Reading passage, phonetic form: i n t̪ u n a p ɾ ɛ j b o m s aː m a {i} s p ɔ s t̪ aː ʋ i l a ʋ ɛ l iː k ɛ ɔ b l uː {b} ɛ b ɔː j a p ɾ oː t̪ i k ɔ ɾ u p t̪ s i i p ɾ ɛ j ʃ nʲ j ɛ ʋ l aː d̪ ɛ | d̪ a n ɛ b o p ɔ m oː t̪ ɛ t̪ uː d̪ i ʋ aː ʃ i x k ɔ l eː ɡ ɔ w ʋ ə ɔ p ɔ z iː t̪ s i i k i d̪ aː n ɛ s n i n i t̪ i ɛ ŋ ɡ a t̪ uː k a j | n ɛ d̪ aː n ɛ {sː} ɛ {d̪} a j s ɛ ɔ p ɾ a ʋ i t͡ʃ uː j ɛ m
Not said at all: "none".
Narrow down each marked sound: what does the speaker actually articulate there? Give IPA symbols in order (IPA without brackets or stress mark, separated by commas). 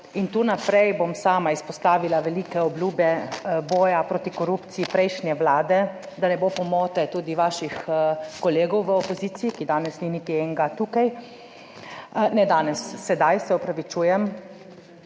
i, b, sː, d̪